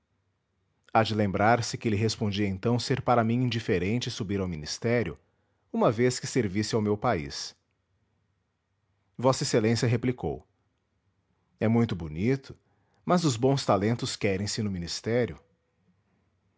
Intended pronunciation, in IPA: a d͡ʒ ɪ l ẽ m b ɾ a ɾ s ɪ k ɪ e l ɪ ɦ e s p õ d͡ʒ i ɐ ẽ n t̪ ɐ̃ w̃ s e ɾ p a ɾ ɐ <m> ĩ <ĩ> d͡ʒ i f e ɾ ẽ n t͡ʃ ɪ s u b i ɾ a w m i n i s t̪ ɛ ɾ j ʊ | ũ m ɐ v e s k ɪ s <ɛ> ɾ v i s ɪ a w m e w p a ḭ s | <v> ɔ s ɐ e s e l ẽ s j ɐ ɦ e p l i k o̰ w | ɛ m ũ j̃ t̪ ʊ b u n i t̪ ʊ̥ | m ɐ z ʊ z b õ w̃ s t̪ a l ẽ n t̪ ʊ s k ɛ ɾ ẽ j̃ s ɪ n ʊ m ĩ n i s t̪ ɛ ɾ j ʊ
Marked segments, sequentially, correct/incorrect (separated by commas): correct, correct, incorrect, correct